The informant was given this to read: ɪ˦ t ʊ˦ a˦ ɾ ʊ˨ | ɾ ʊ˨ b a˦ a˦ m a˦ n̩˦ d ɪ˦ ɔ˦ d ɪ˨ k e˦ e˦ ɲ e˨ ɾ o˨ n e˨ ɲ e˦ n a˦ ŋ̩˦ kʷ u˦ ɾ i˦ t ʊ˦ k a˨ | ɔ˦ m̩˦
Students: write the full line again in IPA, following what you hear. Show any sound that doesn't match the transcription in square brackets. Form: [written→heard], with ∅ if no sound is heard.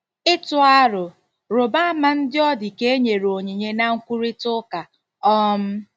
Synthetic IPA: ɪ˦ t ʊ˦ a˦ ɾ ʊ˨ | ɾ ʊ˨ b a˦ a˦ m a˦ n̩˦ d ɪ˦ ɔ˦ d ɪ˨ k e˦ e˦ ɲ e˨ ɾ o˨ [n→ɲ] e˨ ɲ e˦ n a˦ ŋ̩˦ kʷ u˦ ɾ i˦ t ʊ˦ k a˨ | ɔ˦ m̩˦